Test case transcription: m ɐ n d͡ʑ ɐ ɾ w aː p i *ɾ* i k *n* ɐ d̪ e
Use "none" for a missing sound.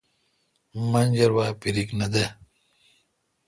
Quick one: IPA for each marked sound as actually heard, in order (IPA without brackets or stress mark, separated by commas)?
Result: ɾ, n